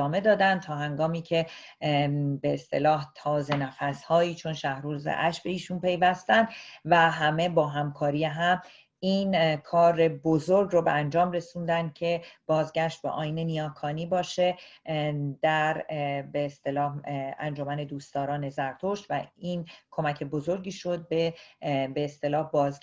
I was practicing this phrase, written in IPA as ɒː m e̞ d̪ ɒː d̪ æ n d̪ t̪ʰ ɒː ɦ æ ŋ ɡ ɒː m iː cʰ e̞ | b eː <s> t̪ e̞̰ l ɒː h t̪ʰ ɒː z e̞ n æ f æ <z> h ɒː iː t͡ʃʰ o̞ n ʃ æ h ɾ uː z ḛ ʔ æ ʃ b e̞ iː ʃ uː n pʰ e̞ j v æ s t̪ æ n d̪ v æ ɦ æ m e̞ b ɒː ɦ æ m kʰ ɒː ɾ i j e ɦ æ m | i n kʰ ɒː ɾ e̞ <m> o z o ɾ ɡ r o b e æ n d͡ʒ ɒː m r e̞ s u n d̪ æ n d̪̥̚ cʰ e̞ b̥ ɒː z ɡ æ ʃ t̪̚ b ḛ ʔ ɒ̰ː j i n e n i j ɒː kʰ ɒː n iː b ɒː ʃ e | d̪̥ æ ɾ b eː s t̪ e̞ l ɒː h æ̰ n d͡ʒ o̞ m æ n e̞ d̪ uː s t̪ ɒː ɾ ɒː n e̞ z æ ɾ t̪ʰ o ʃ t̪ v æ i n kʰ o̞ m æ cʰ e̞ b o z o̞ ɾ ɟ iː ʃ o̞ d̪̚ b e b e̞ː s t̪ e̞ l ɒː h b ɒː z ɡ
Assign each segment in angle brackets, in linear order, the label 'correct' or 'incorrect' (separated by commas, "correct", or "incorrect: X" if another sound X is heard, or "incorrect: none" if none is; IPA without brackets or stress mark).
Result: correct, incorrect: s, incorrect: b